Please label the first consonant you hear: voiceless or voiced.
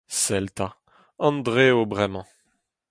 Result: voiceless